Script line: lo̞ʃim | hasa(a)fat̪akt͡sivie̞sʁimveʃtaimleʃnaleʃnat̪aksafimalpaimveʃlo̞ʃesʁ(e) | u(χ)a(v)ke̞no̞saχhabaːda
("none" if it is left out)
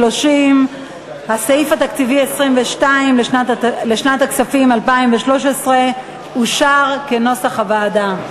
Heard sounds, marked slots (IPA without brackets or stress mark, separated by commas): i, e, ʃ, ʁ